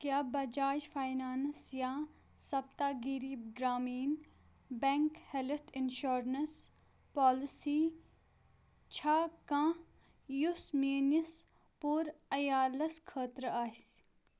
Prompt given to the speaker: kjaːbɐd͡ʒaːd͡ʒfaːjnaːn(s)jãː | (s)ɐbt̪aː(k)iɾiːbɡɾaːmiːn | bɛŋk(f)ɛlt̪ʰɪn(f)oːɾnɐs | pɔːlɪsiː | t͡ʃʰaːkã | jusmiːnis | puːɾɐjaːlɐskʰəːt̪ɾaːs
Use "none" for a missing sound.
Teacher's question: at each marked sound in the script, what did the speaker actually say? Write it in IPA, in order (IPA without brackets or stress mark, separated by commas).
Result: s, s, ɡ, h, ʃ